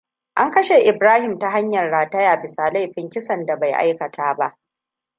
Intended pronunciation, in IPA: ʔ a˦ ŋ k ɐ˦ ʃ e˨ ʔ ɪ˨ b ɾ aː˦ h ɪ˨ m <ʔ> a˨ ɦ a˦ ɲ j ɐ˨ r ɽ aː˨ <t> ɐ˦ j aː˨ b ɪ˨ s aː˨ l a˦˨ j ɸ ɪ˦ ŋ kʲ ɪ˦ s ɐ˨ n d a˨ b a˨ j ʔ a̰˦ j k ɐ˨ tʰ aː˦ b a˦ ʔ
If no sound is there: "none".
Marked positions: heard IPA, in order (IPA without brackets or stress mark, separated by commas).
t, t